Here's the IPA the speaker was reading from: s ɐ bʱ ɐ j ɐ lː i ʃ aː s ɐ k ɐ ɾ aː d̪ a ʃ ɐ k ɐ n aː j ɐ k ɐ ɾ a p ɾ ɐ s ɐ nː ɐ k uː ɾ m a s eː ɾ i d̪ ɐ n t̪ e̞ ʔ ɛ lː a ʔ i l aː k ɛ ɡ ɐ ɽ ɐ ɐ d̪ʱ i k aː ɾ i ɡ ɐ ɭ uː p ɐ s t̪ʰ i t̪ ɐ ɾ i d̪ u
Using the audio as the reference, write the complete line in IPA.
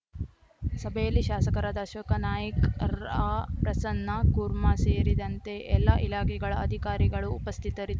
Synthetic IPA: s ɐ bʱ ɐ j ɐ lː i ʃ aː s ɐ k ɐ ɾ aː d̪ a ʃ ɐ k ɐ n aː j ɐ k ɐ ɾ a p ɾ ɐ s ɐ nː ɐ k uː ɾ m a s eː ɾ i d̪ ɐ n t̪ e̞ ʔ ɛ lː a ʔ i l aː k ɛ ɡ ɐ ɭ ɐ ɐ d̪ʱ i k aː ɾ i ɡ ɐ ɭ uː p ɐ s t̪ʰ i t̪ ɐ ɾ i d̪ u